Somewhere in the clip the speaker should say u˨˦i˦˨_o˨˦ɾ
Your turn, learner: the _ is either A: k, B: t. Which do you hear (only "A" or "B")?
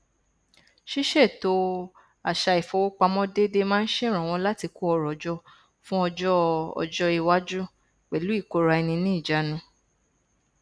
A